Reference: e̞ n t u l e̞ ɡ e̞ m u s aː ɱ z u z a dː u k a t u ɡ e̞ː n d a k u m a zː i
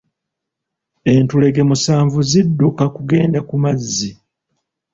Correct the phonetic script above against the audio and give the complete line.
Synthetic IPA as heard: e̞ n t u l e̞ ɡ e̞ m u s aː ɱ v u z i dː u k a k u ɡ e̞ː n d a k u m a zː i

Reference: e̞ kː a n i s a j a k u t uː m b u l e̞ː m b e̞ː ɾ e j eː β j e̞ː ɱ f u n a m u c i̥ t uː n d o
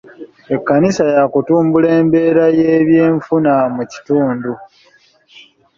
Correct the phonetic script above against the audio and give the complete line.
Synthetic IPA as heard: e̞ kː a n i s a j a k u t uː m b u l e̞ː m b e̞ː ɾ a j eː β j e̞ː ɱ f u n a m u c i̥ t uː n d u

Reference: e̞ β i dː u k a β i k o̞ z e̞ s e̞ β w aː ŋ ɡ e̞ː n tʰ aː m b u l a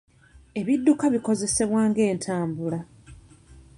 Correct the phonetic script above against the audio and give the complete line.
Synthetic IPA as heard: e̞ β i dː u k a β i k o̞ z e̞ s e̞ β w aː ŋ ɡ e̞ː n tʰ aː m b u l a

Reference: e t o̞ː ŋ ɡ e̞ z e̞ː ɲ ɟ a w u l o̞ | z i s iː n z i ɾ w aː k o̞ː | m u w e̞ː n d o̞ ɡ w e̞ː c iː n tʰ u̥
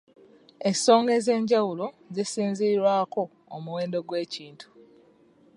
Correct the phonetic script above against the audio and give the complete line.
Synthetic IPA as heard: e s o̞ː ŋ ɡ e̞ z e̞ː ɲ ɟ a w u l o̞ | z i s iː n z i ɾ w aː k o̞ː | m u w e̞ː n d o̞ ɡ w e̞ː c iː n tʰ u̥

